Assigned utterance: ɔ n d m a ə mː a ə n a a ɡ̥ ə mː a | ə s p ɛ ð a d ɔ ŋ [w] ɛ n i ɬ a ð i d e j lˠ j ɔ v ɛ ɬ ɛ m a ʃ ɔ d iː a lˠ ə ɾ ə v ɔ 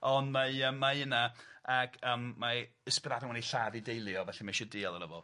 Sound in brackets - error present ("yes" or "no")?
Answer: no